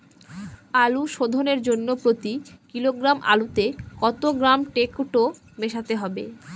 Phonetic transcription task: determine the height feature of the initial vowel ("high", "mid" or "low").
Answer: low